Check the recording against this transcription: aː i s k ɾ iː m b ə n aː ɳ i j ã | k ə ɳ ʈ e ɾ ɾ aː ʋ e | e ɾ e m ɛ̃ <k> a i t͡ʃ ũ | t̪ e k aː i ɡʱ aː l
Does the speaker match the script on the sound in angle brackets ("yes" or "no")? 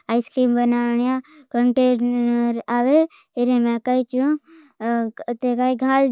yes